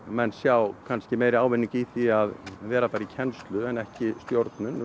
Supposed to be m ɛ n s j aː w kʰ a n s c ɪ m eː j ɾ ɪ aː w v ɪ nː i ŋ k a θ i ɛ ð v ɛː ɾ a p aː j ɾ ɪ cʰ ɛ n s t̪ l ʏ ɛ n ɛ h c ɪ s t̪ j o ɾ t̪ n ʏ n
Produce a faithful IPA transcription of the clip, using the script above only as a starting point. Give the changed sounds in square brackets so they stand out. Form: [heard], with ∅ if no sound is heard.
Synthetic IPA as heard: m ɛ n s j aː w kʰ a n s c ɪ m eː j ɾ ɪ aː w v ɪ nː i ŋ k [i] θ i [a] ð v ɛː ɾ a p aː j ɾ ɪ cʰ ɛ n s t̪ l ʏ ɛ n ɛ h c ɪ s t̪ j o ɾ t̪ n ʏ n